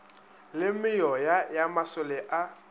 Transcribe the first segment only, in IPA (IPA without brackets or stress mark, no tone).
l